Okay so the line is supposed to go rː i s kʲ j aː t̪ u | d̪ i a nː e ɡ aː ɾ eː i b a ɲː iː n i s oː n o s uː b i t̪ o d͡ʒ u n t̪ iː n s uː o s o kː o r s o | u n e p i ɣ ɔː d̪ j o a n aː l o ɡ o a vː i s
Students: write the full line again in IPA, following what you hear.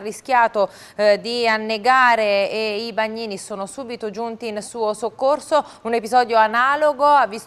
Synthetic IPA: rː i s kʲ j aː t̪ o | d̪ i a nː e ɡ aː ɾ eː i b a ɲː iː n i s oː n o s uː b i t̪ o d͡ʒ u n t̪ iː n s uː o s o kː o r s o | u n e p i z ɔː d̪ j o a n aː l o ɡ o a vː i s